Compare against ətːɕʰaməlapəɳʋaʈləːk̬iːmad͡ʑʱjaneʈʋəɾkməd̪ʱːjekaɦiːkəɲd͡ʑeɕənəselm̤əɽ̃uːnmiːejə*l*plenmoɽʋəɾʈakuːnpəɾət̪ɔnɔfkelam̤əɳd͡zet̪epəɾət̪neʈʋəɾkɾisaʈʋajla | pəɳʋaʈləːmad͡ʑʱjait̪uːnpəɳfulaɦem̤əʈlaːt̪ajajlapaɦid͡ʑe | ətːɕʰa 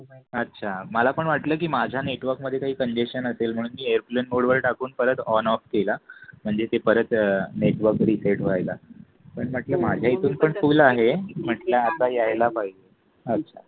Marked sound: incorrect: ɾ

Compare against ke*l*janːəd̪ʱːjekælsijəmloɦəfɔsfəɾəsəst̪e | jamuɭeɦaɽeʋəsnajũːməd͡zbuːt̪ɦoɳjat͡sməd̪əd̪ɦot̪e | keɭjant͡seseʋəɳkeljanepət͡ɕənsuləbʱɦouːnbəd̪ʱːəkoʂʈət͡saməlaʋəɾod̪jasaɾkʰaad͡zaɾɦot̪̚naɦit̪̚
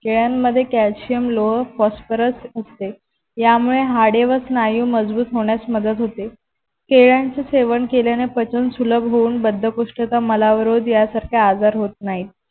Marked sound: incorrect: ɭ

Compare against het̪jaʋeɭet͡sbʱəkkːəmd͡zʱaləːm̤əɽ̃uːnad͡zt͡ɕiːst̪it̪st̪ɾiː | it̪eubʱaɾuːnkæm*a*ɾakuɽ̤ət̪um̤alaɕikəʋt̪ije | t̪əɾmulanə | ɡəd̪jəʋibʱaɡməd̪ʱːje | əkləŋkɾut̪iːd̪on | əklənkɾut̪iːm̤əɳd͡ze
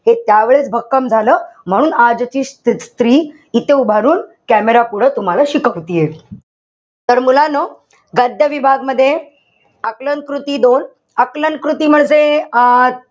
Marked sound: incorrect: e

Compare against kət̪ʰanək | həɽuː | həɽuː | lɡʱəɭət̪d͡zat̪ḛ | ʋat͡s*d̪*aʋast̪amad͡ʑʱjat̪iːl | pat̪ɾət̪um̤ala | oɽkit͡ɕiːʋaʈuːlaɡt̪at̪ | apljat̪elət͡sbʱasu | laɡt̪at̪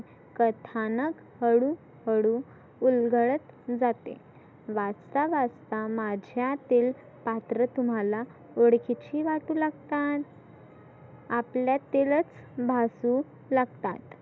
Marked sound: incorrect: t̪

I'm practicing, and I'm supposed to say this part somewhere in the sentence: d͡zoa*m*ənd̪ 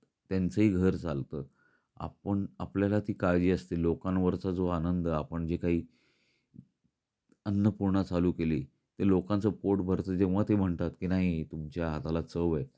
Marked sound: incorrect: n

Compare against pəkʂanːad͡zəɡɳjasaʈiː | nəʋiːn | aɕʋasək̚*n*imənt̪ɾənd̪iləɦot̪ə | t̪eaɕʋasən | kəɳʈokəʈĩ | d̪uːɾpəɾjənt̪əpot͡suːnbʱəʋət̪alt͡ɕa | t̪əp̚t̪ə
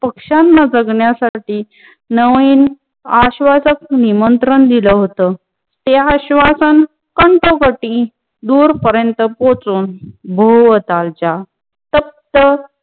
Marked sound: correct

